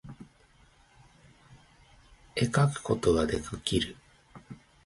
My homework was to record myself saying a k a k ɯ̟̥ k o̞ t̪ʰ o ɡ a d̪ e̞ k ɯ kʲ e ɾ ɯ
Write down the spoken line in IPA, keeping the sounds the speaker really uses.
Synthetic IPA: e k a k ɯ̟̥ k o̞ t̪ o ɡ a d̪ e̞ k ɯ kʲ i ɾ ɯ